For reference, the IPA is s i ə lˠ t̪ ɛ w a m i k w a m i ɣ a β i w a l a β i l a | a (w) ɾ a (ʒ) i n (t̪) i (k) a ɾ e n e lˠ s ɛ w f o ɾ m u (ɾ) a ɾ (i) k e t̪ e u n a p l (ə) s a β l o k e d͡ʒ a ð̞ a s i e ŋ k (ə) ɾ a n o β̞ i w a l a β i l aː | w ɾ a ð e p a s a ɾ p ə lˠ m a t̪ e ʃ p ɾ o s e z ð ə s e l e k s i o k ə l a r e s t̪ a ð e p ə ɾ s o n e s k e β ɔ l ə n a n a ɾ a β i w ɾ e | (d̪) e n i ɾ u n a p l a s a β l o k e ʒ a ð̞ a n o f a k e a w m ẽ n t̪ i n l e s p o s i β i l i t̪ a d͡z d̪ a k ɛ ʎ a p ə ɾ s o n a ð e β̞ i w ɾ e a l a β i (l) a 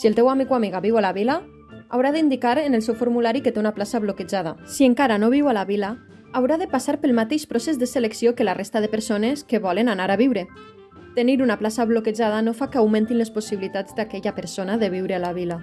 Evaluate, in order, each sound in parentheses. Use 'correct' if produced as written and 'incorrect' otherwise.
correct, incorrect, incorrect, correct, incorrect, correct, incorrect, incorrect, incorrect, correct

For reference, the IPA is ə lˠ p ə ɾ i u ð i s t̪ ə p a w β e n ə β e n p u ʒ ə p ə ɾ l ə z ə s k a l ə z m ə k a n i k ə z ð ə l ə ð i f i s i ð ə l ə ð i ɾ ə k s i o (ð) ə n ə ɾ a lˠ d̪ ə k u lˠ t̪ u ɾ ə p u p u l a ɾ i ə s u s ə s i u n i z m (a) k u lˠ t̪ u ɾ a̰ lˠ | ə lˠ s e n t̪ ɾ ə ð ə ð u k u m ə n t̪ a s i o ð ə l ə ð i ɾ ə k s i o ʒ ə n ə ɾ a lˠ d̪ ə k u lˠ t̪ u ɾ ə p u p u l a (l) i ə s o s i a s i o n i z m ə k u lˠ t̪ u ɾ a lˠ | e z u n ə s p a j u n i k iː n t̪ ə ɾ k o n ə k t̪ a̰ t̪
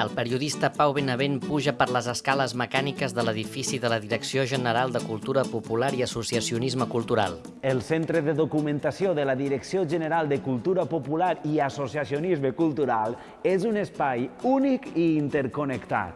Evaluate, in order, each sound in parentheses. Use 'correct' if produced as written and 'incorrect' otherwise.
incorrect, incorrect, incorrect

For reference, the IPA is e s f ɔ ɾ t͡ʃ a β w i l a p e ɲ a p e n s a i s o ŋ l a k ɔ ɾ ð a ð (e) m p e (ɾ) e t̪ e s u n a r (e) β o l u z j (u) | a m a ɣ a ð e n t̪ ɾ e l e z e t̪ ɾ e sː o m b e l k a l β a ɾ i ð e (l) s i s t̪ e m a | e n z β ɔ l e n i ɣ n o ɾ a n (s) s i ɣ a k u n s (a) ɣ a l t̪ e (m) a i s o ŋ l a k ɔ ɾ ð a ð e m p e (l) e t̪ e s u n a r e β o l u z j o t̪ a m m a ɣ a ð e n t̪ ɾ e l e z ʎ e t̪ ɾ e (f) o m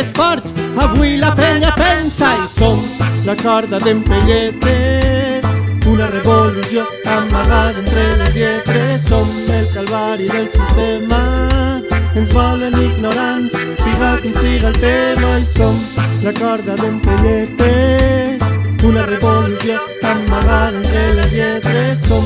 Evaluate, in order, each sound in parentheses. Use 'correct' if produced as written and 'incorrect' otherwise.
correct, incorrect, correct, incorrect, correct, correct, incorrect, correct, incorrect, incorrect

